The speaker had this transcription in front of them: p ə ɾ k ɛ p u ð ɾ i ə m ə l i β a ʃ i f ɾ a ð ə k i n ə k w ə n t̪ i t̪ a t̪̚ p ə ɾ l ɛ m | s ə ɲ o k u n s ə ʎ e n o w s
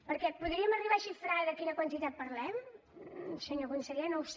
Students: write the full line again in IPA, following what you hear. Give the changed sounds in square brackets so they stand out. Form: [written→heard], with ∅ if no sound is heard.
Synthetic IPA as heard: p ə ɾ k ɛ p u ð ɾ i ə m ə [l→r] i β a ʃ i f ɾ a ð ə k i n ə k w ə n t̪ i t̪ a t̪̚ p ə ɾ l ɛ m | s ə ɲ o k u n s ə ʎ e n o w s